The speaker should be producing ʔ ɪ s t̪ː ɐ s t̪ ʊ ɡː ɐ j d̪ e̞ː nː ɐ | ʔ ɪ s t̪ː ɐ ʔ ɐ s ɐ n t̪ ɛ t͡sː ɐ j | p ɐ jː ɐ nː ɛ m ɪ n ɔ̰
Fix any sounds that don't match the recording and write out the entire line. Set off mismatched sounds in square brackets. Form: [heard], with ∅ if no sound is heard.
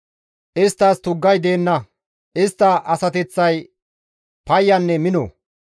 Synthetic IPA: ʔ ɪ s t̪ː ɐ s t̪ ʊ ɡː ɐ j d̪ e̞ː nː ɐ | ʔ ɪ s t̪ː ɐ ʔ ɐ s ɐ [∅] t̪ ɛ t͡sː ɐ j | p ɐ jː ɐ nː ɛ m ɪ n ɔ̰